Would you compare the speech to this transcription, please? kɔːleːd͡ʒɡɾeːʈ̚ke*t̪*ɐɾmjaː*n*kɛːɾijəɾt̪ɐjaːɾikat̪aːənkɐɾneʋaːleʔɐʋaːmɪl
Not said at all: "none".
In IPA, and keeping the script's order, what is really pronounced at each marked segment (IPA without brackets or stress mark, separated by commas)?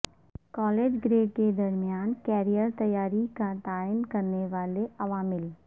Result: d̪, n